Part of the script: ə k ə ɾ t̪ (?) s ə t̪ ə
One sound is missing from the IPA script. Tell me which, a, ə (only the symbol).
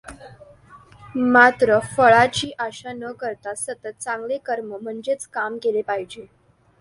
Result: a